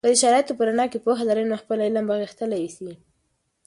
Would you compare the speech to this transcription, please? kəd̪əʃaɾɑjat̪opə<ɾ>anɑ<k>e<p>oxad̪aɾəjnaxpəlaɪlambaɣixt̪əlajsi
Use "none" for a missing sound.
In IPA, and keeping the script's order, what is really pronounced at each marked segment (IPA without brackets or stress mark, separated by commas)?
ɾ, k, p